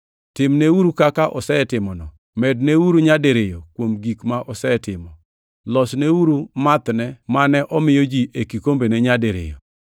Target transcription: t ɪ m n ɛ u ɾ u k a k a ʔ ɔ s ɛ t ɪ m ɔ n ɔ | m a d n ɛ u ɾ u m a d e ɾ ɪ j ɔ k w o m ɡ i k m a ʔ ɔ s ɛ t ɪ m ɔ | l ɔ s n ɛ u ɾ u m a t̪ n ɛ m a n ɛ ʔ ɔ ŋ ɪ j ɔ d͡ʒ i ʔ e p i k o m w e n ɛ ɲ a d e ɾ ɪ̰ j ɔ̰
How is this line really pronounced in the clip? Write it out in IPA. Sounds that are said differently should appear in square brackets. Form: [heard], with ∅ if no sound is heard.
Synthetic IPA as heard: t ɪ m n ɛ u ɾ u k a k a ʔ ɔ s ɛ t ɪ m ɔ n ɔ | m [ɛ] d n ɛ u ɾ u [ɲ] a d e ɾ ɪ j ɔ k w o m ɡ i k m a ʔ ɔ s ɛ t ɪ m ɔ | l ɔ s n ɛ u ɾ u m a t̪ n ɛ m a n ɛ ʔ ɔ [m] ɪ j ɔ d͡ʒ i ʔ e [k] i k o m [b] e n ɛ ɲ a d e ɾ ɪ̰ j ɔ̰